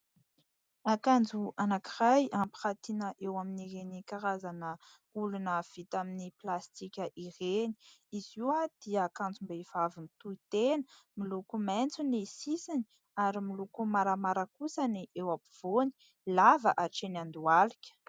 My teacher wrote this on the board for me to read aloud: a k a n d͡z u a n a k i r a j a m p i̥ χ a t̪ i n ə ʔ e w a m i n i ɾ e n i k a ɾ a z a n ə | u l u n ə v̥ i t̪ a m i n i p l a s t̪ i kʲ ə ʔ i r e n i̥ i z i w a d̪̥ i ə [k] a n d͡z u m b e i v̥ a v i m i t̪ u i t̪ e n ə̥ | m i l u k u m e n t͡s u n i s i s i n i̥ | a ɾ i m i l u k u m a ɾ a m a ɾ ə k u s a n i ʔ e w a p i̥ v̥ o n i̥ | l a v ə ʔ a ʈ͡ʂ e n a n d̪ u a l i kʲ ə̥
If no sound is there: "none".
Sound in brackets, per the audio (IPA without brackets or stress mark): k